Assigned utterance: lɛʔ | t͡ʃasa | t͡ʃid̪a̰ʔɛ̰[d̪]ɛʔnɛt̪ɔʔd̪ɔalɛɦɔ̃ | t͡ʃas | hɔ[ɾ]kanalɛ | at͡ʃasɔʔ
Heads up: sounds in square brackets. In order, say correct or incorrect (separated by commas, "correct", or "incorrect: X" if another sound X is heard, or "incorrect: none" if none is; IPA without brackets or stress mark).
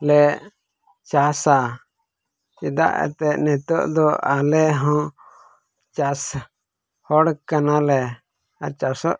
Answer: incorrect: t̪, incorrect: ɽ